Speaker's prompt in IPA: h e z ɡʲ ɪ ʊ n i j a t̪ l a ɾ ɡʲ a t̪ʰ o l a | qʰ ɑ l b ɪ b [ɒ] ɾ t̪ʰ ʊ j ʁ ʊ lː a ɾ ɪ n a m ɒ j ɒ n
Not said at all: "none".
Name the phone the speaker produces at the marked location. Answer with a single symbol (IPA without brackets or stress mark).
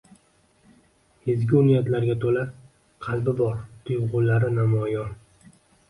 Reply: ɒ